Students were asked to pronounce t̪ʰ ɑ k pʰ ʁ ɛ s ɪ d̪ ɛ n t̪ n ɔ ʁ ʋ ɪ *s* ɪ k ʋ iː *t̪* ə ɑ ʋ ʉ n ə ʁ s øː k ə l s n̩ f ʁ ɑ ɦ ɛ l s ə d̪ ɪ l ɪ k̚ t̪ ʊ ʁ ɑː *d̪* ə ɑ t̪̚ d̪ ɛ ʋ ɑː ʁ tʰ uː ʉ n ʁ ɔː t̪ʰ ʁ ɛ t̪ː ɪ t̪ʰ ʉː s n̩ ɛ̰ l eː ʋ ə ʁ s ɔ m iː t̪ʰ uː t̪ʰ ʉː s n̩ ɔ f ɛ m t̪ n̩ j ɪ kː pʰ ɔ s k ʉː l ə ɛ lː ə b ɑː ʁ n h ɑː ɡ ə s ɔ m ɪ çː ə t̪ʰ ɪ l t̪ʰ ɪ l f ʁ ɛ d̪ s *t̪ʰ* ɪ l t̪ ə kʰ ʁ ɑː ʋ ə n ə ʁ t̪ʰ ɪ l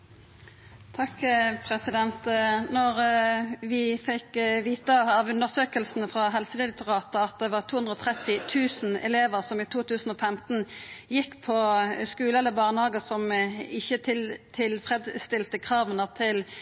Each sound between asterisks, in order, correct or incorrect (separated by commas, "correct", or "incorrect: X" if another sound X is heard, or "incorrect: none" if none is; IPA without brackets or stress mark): incorrect: f, correct, incorrect: t̪, incorrect: t̪